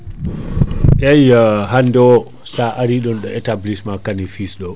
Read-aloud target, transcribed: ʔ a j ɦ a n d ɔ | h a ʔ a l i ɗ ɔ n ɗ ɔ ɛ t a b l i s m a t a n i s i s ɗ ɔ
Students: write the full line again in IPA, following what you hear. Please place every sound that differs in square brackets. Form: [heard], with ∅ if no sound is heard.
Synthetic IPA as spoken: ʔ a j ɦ a n d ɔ | [s] a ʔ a [ɾ] i ɗ ɔ n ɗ ɔ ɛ t a b l i s m a [k] a n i [f] i s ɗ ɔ

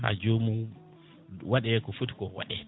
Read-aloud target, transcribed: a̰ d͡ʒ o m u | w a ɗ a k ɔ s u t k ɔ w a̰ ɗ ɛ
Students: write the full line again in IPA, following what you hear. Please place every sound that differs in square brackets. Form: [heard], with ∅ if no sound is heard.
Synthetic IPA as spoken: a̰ d͡ʒ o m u | w a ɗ [ɛ] k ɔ [f] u t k ɔ w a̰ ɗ ɛ

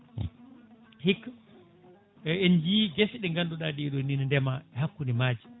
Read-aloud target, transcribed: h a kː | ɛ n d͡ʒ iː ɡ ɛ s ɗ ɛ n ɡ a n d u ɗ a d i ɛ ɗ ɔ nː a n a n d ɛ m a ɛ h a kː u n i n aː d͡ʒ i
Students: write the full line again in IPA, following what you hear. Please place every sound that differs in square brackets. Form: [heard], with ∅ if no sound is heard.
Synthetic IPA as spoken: h [i] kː | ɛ n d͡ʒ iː ɡ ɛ s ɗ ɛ [ŋ] ɡ a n d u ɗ a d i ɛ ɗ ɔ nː [i] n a n d ɛ m a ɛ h a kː u n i [m] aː d͡ʒ i

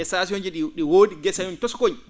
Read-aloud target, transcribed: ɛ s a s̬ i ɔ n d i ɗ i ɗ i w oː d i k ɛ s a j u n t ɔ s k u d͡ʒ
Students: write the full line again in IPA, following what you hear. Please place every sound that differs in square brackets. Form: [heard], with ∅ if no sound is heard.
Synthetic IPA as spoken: ɛ s a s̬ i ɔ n [d͡ʒ] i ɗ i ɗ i w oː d i [ɡ] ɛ s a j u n t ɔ s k [o] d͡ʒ

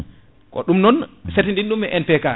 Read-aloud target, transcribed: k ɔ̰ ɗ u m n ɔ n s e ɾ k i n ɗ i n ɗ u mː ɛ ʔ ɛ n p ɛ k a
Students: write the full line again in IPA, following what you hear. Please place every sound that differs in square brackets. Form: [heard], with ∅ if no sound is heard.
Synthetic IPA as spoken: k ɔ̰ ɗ u m n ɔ n s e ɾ [t] i n [d] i n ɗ u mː ɛ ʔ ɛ n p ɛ k a

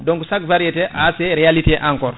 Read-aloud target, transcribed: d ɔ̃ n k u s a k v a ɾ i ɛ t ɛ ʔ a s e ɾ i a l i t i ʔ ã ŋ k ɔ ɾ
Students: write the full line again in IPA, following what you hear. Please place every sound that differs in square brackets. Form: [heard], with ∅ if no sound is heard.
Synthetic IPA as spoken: d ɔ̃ [ŋ] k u s a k v a ɾ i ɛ t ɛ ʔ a s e ɾ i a l i t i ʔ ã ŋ k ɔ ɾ

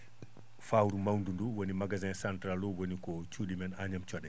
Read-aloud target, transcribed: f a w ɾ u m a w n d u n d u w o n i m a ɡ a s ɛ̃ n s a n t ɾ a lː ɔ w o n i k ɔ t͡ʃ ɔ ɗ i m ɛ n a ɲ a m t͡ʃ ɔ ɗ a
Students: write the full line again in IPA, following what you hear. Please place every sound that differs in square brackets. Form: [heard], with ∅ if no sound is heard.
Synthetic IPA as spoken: f a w ɾ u m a w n d u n d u w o n i m a ɡ a [z] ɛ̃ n s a n t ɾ a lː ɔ w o n i k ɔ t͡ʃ [u] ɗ i m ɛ n a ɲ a m t͡ʃ ɔ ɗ [ɛ]

